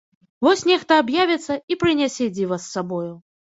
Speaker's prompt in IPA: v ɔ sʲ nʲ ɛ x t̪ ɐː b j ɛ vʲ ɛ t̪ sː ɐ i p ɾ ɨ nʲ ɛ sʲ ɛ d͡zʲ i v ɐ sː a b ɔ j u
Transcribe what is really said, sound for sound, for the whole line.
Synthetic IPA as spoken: v ɔ sʲ nʲ ɛ x t̪ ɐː b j a vʲ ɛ t̪ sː ɐ i p ɾ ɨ nʲ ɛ sʲ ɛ d͡zʲ i v ɐ sː a b ɔ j u